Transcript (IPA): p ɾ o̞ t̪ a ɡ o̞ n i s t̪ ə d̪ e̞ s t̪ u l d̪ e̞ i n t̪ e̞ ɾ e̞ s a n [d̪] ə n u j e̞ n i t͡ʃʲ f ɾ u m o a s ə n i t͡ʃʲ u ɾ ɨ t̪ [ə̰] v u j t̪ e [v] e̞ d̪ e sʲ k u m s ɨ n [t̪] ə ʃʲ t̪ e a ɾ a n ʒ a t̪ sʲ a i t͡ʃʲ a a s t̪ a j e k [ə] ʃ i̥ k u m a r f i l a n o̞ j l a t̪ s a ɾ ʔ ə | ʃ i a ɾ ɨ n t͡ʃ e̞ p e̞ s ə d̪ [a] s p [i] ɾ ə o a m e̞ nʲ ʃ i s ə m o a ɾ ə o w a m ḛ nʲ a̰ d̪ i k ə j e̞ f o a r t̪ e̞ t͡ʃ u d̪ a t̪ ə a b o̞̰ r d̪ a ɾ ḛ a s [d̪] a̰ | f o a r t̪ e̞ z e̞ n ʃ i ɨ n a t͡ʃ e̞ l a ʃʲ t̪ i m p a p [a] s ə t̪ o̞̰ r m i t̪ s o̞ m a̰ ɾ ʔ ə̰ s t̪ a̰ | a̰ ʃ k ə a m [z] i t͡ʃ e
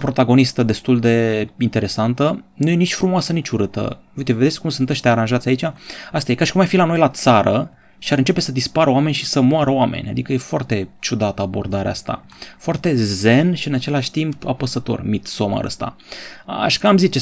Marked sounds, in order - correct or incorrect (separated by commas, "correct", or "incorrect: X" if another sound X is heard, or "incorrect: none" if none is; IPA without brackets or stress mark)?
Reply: incorrect: t̪, correct, correct, correct, incorrect: a, incorrect: i, incorrect: a, incorrect: t̪, incorrect: ə, correct